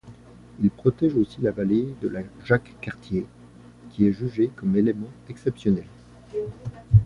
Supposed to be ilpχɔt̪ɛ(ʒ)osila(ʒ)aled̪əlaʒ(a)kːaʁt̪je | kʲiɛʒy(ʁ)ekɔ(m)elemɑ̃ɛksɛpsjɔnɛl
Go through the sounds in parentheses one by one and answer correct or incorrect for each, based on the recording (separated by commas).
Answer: correct, incorrect, correct, incorrect, correct